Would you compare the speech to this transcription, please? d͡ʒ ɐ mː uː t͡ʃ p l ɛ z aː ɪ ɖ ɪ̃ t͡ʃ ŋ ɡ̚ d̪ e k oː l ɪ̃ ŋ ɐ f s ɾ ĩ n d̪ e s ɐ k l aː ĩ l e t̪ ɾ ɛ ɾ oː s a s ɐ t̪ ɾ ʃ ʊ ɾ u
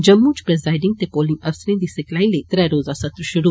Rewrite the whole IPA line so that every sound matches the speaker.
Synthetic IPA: d͡ʒ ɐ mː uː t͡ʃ p ɾ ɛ z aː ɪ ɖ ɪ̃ ŋ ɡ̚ t̪ e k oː l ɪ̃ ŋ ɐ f s ɾ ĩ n d̪ i s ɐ k l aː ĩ l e t̪ ɾ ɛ ɾ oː z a s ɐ t̪ ɾ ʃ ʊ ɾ u